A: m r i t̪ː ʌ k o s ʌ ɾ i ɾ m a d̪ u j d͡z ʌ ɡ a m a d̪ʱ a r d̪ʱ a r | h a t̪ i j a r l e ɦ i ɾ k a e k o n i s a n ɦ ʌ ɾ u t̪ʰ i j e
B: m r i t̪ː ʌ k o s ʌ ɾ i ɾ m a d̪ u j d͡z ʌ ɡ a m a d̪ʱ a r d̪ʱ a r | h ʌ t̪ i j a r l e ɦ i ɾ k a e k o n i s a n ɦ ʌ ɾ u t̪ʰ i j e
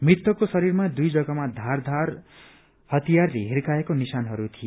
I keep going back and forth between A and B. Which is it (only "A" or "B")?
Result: B